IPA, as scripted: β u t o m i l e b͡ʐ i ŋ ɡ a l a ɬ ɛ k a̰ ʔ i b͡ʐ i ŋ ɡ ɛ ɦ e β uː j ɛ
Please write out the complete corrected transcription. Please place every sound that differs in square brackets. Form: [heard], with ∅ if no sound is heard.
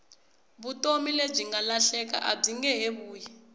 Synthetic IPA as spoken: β u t o m i l e b͡ʐ i ŋ ɡ a l a ɬ ɛ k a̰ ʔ [a] b͡ʐ i ŋ ɡ ɛ ɦ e β uː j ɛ